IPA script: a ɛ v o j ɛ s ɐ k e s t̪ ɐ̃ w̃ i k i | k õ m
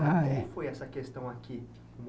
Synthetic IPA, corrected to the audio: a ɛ f o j ɛ s ɐ k e s t̪ ɐ̃ w̃ a k i | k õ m